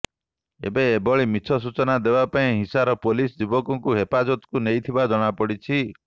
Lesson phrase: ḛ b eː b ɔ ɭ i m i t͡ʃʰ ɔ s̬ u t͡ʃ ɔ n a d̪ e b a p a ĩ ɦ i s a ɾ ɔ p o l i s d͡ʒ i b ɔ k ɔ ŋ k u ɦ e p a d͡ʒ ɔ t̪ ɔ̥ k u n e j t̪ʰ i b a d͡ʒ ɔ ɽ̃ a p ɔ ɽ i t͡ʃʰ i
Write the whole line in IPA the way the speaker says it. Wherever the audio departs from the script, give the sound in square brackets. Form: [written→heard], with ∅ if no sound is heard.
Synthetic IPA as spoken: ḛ b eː b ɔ ɭ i m i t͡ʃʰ ɔ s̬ u t͡ʃ ɔ n a d̪ e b a p a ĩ ɦ i s a ɾ ɔ p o l i s d͡ʒ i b ɔ k ɔ ŋ k u ɦ e p a d͡ʒ ɔ t̪ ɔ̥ k u n e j t̪ʰ i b a d͡ʒ ɔ ɽ̃ a p ɔ ɽ i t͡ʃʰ i

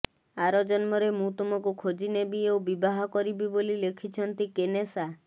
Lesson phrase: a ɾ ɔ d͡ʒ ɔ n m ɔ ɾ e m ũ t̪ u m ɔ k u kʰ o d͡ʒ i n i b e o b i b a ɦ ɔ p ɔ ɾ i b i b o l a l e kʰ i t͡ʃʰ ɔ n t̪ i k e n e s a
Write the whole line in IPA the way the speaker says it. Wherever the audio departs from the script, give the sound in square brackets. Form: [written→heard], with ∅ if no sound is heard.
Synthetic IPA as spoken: a ɾ ɔ d͡ʒ ɔ n m ɔ ɾ e m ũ t̪ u m ɔ k u kʰ o d͡ʒ i n [i→e] b [e→i] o b i b a ɦ ɔ [p→k] ɔ ɾ i b i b o l [a→i] l e kʰ i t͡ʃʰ ɔ n t̪ i k e n e s a

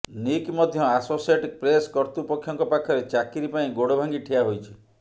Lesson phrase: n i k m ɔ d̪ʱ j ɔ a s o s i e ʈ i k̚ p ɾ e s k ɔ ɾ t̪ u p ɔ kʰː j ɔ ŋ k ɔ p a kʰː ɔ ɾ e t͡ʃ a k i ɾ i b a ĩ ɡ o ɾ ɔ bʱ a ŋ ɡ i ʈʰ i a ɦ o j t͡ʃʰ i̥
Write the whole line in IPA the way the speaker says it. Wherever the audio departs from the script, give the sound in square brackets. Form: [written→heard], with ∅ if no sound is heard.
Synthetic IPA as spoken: n i k m ɔ d̪ʱ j ɔ a s o s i e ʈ i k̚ p ɾ e s k ɔ ɾ t̪ u p ɔ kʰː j ɔ ŋ k ɔ p a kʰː ɔ ɾ e t͡ʃ a k i ɾ i [b→p] a ĩ ɡ o [ɾ→ɽ] ɔ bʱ a ŋ ɡ i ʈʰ i a ɦ o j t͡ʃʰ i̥

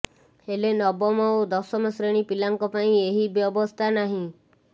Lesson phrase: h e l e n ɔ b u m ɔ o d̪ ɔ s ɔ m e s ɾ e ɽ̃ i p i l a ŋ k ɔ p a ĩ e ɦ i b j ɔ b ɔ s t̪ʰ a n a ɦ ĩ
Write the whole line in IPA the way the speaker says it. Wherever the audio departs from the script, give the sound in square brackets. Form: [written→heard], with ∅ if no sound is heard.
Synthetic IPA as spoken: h e l e n ɔ b [u→ɔ] m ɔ o d̪ ɔ s ɔ m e s ɾ e ɽ̃ i p i l a ŋ k ɔ p a ĩ e ɦ i b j ɔ b ɔ s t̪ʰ a n a ɦ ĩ

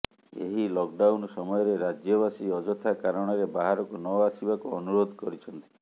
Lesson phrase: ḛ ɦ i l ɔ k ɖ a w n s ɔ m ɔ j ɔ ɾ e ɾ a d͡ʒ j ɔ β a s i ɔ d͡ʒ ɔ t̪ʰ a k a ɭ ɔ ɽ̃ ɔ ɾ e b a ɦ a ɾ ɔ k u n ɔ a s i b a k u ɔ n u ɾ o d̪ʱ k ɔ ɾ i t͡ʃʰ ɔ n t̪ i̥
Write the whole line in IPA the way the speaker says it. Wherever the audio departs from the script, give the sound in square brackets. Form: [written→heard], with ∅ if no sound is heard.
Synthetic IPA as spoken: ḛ ɦ i l ɔ k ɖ a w n s ɔ m ɔ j ɔ ɾ e ɾ a d͡ʒ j ɔ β a s i ɔ d͡ʒ ɔ t̪ʰ a k a [ɭ→ɾ] ɔ ɽ̃ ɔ ɾ e b a ɦ a ɾ ɔ k u n ɔ a s i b a k u ɔ n u ɾ o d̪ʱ k ɔ ɾ i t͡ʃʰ ɔ n t̪ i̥

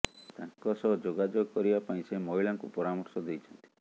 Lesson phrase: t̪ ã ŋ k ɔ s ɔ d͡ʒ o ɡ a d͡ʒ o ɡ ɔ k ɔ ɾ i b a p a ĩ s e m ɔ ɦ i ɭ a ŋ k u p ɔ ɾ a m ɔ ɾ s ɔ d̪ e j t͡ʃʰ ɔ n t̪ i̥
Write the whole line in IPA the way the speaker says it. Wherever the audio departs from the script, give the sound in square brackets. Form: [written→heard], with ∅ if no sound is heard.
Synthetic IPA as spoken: t̪ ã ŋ k ɔ s ɔ d͡ʒ o ɡ a d͡ʒ o ɡ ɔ k ɔ ɾ i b a p a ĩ s e m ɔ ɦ i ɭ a ŋ k u p ɔ ɾ a m ɔ ɾ s ɔ d̪ e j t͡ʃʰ ɔ n t̪ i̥

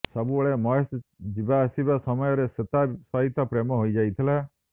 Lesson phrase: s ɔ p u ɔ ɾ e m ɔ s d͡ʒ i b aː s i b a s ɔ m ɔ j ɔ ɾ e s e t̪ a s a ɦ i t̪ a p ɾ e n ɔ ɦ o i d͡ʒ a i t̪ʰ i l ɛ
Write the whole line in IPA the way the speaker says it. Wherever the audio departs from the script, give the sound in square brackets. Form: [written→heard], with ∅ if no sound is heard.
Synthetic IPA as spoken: s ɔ [p→b] u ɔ [ɾ→ɭ] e m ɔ s d͡ʒ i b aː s i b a s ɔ m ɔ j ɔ ɾ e s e t̪ a s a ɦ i t̪ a p ɾ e [n→m] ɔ ɦ o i d͡ʒ a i t̪ʰ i l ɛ

